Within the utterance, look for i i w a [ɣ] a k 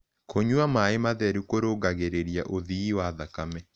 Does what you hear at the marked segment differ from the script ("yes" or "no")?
yes